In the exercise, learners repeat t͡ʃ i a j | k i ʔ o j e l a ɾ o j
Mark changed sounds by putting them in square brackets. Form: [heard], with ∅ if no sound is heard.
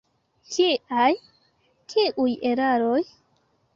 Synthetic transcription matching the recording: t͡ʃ i a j | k i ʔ [u] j e [ɾ] a ɾ o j